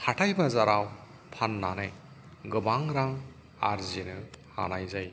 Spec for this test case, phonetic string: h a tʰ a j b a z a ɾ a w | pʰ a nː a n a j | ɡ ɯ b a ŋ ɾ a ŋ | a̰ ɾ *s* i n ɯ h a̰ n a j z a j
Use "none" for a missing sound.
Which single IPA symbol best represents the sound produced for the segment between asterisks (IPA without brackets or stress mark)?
z